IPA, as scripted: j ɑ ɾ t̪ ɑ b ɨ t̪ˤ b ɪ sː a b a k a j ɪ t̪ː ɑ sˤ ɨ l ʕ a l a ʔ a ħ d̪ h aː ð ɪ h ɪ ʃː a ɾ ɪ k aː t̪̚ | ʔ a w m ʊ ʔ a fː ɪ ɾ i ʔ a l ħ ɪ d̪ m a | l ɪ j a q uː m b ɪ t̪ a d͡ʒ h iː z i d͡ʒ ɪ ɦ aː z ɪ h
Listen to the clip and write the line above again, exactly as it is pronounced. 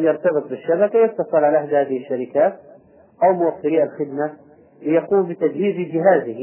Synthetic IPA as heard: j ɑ ɾ t̪ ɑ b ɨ t̪ˤ b ɪ ʃː a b a k a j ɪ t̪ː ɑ sˤ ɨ l ʕ a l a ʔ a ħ d̪ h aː ð ɪ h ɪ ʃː a ɾ ɪ k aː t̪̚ | ʔ a w m ʊ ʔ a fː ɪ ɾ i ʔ a l x ɪ d̪ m a | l ɪ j a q uː m b ɪ t̪ a d͡ʒ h iː z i d͡ʒ ɪ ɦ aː z ɪ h